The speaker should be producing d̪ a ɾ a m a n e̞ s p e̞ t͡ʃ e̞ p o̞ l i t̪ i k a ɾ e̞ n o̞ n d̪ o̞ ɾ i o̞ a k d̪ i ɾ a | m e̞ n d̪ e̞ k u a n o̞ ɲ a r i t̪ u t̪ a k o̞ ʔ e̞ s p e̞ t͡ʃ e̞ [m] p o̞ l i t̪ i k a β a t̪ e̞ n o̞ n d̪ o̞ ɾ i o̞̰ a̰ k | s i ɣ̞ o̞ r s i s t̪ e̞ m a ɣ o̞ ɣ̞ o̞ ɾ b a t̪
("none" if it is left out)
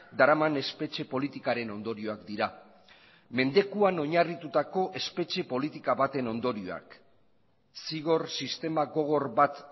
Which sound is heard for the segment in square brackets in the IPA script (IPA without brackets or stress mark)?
none